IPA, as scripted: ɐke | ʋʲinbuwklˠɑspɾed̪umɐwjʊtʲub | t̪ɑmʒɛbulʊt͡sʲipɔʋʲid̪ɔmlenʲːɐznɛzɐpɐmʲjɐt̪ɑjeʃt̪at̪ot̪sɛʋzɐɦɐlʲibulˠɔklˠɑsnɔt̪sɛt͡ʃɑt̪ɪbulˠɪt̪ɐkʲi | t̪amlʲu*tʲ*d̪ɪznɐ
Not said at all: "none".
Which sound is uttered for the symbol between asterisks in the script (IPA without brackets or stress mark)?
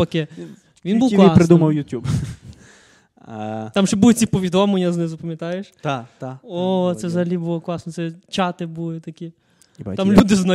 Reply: none